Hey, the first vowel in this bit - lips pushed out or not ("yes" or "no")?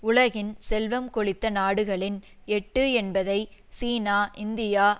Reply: yes